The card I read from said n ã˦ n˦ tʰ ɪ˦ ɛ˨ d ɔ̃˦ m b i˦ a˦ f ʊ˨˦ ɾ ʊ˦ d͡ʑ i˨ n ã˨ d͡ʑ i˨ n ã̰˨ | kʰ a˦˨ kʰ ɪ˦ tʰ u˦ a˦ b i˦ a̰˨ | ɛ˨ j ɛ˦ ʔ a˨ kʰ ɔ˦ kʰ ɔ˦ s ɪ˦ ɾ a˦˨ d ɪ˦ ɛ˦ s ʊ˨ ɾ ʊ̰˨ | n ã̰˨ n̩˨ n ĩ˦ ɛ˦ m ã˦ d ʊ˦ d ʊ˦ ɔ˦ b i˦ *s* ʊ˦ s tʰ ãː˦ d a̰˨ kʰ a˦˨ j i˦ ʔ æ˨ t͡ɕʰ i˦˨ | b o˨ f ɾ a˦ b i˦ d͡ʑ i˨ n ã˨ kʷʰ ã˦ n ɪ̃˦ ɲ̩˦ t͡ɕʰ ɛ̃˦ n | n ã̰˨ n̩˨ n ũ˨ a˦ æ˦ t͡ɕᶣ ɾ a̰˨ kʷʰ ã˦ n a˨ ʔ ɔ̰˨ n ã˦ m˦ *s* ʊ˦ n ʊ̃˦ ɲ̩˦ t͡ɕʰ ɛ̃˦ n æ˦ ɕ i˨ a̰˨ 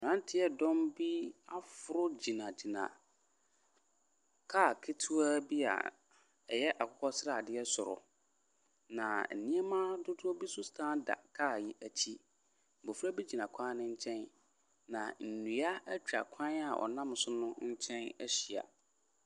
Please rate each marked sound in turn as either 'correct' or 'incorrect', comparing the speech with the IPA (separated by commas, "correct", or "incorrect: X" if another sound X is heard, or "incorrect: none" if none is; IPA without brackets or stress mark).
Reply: correct, correct